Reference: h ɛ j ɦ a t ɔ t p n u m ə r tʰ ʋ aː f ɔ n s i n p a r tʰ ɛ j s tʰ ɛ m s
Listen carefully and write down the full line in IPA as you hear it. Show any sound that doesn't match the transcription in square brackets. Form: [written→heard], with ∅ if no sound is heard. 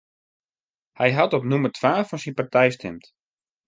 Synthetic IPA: h ɛ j ɦ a t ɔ [t→∅] p n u m ə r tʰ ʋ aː f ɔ n s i n p a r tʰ ɛ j s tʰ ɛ m [s→t]